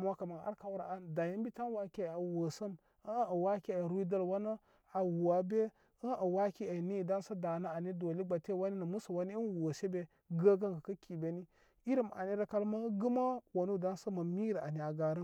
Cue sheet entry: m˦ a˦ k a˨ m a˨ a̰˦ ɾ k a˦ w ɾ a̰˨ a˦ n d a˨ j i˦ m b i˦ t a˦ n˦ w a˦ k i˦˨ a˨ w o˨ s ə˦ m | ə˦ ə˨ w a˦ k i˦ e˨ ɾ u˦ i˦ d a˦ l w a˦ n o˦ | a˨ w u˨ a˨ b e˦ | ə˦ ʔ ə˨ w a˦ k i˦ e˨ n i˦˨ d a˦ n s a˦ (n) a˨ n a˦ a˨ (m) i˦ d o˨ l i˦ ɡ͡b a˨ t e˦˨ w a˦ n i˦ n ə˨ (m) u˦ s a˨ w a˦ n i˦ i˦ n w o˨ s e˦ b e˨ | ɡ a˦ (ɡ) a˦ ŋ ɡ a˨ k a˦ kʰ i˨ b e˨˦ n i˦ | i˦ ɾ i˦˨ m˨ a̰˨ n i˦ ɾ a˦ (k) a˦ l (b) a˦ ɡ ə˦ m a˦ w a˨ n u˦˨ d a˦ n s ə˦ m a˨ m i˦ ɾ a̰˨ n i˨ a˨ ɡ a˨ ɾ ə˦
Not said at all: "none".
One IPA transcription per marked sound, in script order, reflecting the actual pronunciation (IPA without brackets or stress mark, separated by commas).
d, n, m, ɡ, k, m